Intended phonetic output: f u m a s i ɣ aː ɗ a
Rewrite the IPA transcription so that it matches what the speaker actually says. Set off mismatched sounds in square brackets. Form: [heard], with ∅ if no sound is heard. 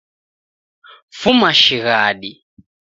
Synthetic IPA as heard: f u m a [ʃ] i ɣ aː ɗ [i]